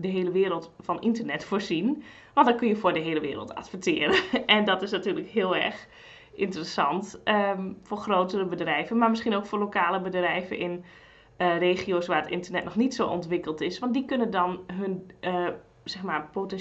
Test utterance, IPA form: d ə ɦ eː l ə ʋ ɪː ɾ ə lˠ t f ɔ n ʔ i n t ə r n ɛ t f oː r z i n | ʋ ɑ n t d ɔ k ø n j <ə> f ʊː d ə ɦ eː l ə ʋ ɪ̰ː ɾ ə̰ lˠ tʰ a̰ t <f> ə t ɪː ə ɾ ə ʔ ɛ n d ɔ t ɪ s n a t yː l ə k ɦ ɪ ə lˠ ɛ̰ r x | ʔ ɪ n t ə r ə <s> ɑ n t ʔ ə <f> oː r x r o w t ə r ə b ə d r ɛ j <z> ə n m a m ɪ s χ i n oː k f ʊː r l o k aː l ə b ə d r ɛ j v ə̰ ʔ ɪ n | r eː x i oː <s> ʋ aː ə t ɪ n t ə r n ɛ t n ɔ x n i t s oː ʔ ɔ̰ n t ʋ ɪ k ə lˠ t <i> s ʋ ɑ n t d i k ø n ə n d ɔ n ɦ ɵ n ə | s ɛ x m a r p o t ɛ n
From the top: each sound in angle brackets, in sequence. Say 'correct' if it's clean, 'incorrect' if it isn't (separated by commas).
correct, correct, correct, correct, incorrect, correct, incorrect